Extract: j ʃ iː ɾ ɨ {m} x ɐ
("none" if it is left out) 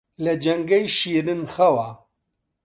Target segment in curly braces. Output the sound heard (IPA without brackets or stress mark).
n